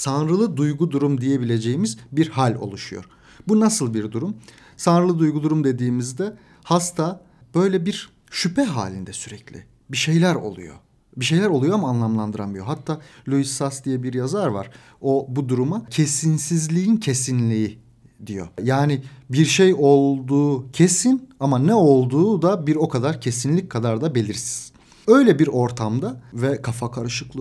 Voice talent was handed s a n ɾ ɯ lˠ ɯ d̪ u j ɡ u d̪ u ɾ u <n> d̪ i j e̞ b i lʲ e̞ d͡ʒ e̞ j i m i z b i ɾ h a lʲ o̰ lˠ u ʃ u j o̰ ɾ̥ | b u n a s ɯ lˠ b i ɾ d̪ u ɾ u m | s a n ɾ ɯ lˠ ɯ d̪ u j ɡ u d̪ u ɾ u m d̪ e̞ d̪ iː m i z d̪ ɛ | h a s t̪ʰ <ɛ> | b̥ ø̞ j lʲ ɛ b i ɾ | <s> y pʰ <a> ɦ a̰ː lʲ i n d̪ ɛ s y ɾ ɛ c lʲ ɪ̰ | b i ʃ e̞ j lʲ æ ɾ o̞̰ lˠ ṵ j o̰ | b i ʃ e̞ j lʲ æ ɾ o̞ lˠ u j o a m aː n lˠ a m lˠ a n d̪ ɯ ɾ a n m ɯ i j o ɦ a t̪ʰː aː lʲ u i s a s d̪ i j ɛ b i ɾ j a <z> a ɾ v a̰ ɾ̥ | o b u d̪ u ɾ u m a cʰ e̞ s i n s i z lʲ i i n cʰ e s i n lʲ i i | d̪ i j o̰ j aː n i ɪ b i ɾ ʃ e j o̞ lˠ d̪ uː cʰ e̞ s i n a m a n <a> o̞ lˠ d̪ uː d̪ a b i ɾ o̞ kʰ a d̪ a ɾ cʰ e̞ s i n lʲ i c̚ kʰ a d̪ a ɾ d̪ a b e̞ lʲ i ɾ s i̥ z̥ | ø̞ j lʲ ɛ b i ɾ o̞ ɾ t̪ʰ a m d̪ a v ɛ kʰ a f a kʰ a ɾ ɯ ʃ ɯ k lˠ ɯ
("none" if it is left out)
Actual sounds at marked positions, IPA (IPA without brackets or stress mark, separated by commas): m, a, ʃ, ɛ, z, ɛ